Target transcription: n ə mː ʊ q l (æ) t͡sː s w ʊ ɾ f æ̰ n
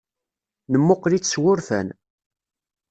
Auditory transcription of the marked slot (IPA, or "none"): i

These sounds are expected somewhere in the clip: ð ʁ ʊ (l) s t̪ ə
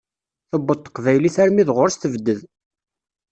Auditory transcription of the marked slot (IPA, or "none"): ɾ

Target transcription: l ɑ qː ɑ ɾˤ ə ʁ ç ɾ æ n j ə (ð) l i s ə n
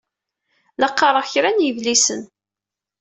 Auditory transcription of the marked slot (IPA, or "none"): v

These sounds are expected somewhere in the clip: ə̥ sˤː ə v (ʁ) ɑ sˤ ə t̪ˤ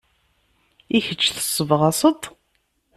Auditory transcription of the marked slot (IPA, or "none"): ʁ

